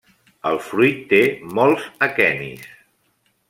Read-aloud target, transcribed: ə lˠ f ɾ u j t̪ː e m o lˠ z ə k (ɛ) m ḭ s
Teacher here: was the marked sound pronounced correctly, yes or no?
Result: yes